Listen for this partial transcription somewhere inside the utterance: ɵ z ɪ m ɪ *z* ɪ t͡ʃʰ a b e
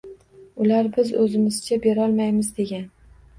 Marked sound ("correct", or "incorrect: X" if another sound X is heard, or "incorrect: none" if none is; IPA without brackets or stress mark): correct